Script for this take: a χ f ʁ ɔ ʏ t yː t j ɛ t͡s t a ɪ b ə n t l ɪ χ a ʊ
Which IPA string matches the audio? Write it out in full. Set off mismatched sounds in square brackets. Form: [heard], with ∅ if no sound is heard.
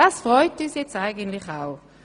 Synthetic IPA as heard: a [s] f ʁ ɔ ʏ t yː [s] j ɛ t͡s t a ɪ [ɡ] ə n t l ɪ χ a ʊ